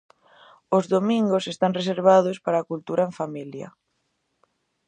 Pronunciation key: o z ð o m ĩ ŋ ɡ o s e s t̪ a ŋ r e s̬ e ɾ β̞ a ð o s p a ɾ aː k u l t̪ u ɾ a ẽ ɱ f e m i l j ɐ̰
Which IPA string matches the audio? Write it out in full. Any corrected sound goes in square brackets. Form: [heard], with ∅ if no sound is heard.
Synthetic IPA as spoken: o z ð o m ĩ ŋ ɡ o s e s t̪ a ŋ r e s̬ e ɾ β̞ a ð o s p a ɾ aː k u l t̪ u ɾ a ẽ ɱ f [a] m i l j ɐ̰